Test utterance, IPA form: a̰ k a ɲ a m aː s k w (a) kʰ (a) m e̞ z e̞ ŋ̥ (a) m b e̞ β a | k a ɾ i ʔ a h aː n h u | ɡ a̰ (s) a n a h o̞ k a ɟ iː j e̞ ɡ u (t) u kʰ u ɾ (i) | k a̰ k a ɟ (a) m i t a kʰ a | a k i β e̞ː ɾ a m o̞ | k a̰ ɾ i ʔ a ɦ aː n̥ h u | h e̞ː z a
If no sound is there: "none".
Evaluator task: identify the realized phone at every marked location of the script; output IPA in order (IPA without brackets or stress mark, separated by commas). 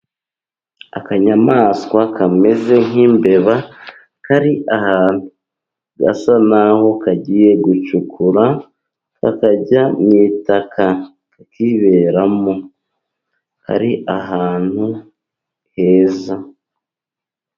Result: a, a, i, s, t͡ʃ, a, a